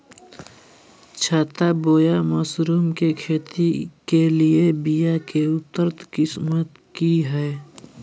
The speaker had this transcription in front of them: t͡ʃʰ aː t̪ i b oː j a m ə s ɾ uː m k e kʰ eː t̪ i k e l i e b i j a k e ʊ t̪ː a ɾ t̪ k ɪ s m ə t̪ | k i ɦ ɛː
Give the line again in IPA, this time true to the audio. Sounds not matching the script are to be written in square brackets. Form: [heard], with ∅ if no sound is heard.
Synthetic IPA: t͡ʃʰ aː t̪ [a] b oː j a m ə s ɾ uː m k e kʰ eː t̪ i k e l i e b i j a k e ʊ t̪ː [ə] ɾ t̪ k ɪ s m ə t̪ | k i ɦ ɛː